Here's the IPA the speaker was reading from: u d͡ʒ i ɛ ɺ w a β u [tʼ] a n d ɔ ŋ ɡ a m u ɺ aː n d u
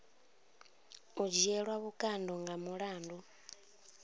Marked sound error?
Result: yes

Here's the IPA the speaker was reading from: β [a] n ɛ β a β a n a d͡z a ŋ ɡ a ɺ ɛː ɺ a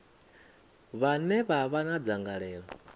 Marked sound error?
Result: no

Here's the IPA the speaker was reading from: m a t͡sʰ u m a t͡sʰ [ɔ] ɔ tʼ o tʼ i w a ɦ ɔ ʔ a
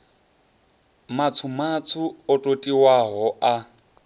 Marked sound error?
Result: yes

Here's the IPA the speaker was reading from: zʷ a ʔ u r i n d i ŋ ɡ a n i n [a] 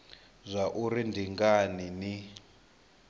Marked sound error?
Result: yes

